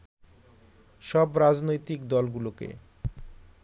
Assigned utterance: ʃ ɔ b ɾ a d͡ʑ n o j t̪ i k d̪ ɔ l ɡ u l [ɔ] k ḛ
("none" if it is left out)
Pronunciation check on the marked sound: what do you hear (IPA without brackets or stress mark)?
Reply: o